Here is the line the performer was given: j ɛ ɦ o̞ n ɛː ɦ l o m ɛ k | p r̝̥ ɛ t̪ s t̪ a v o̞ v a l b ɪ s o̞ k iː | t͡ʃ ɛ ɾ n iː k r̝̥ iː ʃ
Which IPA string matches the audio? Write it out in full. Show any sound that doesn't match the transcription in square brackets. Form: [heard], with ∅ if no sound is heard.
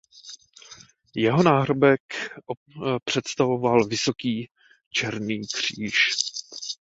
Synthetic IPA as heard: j ɛ ɦ o̞ n [aː] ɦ [ɾ] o [b] ɛ k | p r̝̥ ɛ t̪ s t̪ a v o̞ v a l [v] ɪ s o̞ k iː | t͡ʃ ɛ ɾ n iː k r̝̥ iː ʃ